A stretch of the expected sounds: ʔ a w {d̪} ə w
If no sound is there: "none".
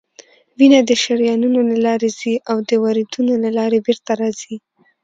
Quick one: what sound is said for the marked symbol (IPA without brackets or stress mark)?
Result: d̪